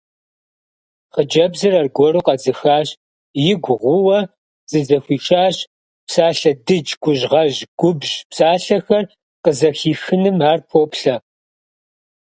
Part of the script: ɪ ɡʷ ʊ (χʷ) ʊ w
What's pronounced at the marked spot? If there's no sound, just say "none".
ʁʷ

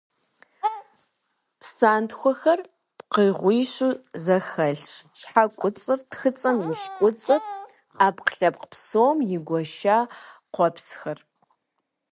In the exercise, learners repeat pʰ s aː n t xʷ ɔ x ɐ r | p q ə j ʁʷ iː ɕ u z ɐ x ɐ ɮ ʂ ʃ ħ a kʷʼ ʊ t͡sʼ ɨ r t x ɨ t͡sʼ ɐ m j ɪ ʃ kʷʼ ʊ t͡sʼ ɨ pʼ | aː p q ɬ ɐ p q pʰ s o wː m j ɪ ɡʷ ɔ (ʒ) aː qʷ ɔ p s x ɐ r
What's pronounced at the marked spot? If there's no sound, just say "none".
ʃ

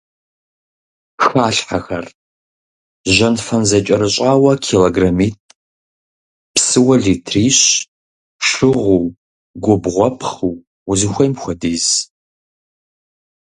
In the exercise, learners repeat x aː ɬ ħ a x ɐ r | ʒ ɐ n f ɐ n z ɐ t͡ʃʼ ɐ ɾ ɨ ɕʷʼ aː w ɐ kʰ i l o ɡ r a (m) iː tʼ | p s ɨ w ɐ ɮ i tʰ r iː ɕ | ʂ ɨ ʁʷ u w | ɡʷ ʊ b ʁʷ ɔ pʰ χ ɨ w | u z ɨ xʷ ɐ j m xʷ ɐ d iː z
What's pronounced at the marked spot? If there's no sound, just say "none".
m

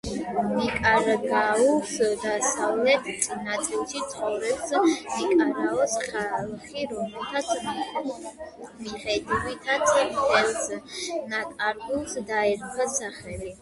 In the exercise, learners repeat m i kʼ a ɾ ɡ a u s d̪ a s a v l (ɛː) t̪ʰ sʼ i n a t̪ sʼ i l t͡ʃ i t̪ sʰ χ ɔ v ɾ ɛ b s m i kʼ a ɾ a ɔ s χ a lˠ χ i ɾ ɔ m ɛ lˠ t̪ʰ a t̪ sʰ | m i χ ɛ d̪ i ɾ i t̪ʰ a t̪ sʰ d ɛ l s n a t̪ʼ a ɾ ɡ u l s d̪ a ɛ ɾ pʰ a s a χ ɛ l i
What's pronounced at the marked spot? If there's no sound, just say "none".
ɛ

